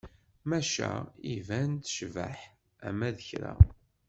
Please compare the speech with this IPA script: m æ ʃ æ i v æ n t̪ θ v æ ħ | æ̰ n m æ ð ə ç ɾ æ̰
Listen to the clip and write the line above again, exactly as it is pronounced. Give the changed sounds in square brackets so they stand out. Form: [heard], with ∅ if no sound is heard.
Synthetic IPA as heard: m æ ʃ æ i v æ n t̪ [ʃ] v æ ħ | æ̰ [∅] m æ ð ə ç ɾ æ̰